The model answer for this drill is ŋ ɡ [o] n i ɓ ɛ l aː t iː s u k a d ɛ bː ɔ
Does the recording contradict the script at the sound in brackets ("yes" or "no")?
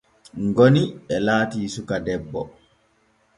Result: no